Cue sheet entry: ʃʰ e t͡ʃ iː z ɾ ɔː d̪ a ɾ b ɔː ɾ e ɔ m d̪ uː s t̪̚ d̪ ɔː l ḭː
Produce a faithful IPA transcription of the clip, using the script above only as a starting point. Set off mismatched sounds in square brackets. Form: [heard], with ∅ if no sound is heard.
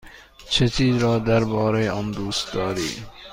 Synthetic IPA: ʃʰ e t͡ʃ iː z ɾ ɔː d̪ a ɾ b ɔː ɾ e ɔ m d̪ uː s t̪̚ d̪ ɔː [ɾ] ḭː